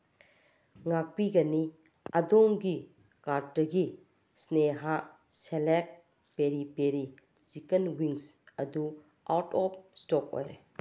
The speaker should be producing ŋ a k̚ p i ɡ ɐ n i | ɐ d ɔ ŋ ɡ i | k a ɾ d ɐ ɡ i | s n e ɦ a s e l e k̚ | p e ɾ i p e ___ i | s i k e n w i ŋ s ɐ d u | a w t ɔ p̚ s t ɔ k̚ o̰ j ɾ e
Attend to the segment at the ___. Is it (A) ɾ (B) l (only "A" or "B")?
A